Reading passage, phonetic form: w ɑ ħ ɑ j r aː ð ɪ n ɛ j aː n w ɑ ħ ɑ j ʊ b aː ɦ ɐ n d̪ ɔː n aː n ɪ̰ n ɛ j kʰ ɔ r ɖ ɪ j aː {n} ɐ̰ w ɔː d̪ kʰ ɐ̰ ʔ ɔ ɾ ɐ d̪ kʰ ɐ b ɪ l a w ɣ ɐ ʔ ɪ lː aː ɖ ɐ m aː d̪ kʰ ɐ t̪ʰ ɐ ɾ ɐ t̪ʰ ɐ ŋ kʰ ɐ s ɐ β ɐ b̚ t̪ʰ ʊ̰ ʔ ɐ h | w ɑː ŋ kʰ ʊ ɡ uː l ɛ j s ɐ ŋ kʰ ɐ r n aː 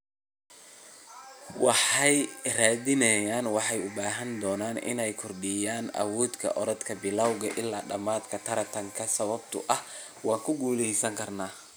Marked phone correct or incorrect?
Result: correct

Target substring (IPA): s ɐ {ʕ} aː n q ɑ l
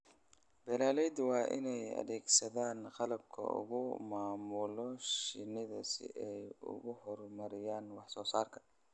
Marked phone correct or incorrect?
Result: incorrect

